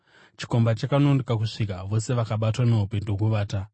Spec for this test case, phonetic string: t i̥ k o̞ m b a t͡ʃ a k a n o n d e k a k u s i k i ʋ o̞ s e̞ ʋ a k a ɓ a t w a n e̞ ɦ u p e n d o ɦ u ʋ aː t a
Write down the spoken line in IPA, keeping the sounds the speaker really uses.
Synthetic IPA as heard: t͡ʃ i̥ k o̞ m b a t͡ʃ a k a n o n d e k a k u ʂ i k a ʋ o̞ s e̞ ʋ a k a ɓ a t w a n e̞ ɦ u p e n d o ɦ u ʋ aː t a